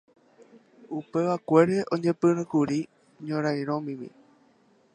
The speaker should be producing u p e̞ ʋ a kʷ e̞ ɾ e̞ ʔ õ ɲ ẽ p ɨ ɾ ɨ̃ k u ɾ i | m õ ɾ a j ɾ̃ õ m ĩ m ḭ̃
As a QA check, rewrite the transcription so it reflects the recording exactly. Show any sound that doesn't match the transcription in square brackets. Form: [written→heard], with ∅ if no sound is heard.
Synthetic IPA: u p e̞ ʋ a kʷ e̞ ɾ e̞ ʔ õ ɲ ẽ p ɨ ɾ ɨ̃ k u ɾ i | [m→ɲ] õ ɾ a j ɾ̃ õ m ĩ m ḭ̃